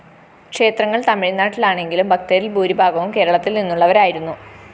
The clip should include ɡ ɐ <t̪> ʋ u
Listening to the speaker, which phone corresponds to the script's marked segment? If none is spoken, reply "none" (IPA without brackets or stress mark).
none